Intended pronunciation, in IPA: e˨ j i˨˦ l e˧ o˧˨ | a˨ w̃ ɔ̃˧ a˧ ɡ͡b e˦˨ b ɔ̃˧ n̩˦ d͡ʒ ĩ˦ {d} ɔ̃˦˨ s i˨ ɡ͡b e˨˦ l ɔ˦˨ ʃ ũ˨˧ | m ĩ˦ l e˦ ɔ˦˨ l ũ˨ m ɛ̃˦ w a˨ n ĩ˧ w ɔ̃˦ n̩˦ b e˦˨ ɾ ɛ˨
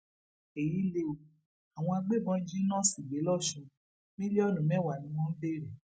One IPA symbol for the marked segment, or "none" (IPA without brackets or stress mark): n